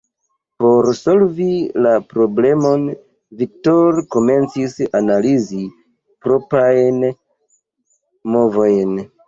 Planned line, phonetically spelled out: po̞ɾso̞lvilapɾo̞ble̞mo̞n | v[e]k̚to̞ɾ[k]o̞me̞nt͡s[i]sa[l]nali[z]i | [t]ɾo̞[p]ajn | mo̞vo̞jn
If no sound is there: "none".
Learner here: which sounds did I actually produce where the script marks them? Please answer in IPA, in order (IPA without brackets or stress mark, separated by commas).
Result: i, k, i, none, z, p, p